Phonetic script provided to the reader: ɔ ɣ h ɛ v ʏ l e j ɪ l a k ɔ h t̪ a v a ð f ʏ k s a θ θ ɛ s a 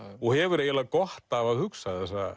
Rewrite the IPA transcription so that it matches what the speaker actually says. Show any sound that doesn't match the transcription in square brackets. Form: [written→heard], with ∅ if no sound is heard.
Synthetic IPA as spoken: ɔ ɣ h ɛ v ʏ [l→ɾ] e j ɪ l a k ɔ h t̪ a v a ð [f→h] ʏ k s a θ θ ɛ s a